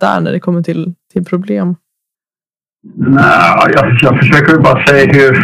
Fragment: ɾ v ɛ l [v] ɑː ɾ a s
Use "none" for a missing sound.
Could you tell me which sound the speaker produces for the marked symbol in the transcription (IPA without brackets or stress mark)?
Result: b